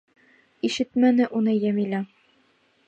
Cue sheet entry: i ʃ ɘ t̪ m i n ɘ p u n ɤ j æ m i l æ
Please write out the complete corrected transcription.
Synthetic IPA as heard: i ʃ ɘ t̪ m æ n ɘ ʔ u n ɤ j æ m i l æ